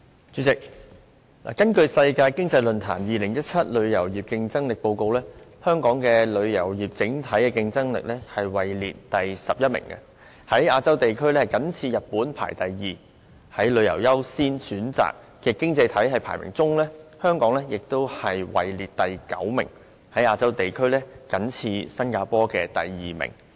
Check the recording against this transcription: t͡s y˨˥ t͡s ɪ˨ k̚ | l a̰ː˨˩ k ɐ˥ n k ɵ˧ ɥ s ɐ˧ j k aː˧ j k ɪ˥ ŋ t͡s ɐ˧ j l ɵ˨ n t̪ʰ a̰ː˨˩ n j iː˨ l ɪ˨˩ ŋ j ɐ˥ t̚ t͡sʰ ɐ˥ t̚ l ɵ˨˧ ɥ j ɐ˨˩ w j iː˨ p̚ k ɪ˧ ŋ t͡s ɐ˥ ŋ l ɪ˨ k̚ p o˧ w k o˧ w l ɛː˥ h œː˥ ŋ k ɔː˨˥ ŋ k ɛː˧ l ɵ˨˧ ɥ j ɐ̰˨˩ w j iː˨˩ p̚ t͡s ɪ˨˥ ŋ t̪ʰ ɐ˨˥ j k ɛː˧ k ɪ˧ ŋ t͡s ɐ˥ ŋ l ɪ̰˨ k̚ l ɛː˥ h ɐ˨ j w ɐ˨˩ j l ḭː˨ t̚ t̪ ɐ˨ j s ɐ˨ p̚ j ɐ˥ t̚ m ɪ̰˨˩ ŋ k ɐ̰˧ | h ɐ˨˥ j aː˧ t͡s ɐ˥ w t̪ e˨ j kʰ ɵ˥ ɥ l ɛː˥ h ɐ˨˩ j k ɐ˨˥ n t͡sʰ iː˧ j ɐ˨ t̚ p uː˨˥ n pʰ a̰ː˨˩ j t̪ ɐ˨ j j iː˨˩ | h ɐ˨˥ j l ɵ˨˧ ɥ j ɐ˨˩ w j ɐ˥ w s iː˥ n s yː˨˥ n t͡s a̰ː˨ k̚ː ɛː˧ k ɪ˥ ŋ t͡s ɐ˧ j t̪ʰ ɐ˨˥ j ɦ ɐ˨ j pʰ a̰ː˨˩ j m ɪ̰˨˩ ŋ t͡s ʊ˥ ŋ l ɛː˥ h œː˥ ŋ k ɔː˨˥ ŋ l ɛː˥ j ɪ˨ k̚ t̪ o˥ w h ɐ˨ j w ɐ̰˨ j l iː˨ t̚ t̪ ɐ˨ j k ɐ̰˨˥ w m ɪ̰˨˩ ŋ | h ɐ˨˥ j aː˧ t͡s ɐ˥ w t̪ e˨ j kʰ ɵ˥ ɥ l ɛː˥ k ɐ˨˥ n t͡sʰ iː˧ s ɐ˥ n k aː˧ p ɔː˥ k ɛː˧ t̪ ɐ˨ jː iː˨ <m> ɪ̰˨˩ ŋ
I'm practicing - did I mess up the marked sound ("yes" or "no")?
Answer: no